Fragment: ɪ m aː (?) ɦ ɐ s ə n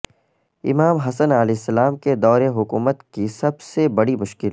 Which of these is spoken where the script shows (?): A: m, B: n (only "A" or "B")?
A